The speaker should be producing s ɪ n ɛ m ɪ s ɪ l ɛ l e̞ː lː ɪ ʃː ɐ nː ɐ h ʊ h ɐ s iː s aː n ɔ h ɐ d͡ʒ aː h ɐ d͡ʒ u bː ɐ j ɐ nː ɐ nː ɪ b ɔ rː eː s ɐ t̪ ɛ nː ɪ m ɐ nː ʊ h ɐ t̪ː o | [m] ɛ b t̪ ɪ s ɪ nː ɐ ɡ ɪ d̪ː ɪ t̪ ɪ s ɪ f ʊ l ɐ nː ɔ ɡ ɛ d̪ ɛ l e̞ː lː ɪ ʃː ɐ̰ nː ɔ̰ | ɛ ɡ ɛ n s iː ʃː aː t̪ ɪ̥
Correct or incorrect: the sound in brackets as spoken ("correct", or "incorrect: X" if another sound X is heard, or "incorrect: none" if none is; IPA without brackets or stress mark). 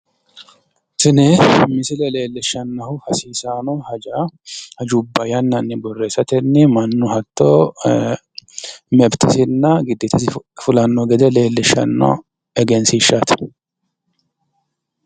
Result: correct